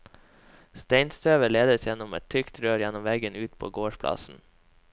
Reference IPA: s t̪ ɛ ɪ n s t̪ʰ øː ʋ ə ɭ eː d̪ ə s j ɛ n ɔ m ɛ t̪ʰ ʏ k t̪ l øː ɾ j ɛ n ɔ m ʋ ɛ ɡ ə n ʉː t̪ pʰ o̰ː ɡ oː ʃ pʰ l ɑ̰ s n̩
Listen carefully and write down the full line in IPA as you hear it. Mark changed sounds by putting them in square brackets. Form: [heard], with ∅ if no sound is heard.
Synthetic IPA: s t̪ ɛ ɪ n s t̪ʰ øː ʋ ə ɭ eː d̪ ə s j ɛ n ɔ m ɛ t̪ʰ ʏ k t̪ [ɾ] øː ɾ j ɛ n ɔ m ʋ ɛ ɡ ə n ʉː t̪ pʰ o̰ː ɡ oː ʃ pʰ l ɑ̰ s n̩